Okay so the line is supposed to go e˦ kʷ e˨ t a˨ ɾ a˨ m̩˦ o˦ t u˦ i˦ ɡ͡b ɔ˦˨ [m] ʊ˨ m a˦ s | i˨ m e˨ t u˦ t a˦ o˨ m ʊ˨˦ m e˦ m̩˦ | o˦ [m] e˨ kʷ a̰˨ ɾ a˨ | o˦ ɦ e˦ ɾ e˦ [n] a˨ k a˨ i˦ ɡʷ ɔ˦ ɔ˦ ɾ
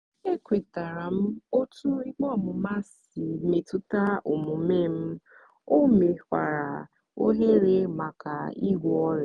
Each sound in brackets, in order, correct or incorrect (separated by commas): correct, correct, incorrect